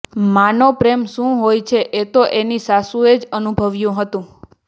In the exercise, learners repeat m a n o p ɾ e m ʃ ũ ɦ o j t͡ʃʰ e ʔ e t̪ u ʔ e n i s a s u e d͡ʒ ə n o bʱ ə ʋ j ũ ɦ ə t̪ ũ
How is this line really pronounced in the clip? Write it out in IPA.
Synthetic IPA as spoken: m a n o p ɾ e m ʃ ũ ɦ o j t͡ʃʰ e ʔ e t̪ o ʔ e n i s a s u e d͡ʒ ə n u bʱ ə ʋ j ũ ɦ ə t̪ ũ